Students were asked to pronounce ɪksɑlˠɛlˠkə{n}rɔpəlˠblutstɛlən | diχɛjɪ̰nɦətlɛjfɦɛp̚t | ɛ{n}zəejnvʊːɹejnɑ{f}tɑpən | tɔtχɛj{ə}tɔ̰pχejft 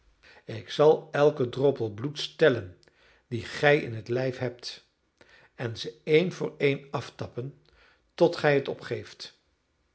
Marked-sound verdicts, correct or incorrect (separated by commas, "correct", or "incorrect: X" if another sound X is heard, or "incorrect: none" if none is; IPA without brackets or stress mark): incorrect: d, correct, correct, correct